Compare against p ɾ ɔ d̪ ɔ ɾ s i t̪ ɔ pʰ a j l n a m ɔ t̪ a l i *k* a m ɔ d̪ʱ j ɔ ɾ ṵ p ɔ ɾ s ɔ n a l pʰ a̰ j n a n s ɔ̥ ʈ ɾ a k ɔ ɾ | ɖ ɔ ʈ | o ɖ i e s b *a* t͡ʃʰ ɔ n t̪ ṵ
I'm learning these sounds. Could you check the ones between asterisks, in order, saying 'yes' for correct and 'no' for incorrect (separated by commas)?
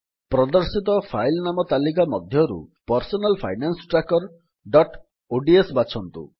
yes, yes